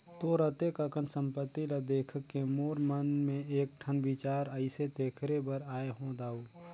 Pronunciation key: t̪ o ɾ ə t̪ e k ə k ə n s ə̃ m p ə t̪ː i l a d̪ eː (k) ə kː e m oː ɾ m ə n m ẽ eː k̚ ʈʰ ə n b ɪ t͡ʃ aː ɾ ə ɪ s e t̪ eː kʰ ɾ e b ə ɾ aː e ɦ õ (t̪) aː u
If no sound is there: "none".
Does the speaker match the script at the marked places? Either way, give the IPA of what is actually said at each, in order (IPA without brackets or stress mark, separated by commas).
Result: kʰ, d̪